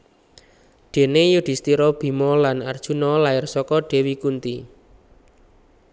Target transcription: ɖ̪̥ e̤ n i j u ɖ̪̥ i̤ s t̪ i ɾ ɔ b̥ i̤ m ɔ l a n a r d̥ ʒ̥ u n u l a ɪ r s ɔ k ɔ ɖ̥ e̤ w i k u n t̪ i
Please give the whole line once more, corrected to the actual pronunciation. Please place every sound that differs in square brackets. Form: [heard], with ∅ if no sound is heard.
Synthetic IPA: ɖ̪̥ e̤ n [e] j u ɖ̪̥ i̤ s t̪ i ɾ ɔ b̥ i̤ m ɔ l a n a r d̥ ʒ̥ u n [ɔ] l a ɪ r s ɔ k ɔ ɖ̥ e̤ w i k u n t̪ i